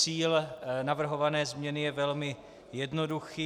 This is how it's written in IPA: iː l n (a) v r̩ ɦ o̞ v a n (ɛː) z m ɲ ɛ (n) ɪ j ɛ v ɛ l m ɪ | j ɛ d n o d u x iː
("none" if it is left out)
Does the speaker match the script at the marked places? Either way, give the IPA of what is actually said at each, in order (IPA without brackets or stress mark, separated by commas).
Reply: a, ɛː, n